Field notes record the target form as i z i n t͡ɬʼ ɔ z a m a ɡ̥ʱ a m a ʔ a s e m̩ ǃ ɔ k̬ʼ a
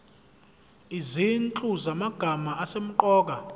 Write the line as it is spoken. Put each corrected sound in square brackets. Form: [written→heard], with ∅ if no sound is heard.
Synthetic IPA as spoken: i z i n t͡ɬʼ [ɔ→u] z a m a ɡ̥ʱ a m a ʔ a s e m̩ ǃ [ɔ→ɔː] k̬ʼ a